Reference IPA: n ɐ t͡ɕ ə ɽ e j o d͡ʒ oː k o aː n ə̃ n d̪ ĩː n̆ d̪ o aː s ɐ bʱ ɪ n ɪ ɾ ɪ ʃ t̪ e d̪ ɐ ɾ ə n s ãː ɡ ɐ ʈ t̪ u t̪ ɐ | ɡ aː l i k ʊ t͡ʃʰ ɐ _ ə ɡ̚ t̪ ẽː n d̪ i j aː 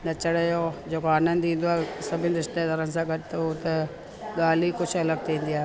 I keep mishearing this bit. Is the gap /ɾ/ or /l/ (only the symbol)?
l